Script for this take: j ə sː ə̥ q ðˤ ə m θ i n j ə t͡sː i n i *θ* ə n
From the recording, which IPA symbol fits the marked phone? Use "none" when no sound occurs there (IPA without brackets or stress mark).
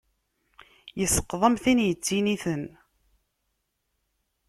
θ